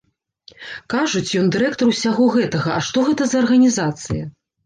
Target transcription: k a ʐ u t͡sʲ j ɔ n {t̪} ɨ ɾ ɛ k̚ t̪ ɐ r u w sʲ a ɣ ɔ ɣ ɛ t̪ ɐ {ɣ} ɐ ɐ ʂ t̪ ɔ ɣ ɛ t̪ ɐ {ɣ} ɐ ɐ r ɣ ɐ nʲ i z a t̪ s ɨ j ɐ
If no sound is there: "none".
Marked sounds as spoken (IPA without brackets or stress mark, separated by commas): d̪, ɣ, z